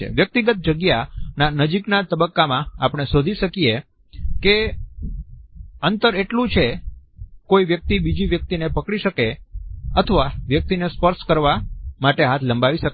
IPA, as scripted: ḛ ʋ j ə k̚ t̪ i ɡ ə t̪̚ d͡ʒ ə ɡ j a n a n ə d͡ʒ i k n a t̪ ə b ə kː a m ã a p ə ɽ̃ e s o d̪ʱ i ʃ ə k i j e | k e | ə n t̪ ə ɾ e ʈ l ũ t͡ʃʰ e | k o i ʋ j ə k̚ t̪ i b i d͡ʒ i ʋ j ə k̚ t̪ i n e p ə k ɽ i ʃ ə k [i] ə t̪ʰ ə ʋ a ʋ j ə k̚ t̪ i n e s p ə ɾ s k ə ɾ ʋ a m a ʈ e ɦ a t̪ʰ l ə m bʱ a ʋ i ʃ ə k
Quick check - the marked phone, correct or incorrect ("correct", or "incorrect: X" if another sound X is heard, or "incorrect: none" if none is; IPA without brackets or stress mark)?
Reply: incorrect: e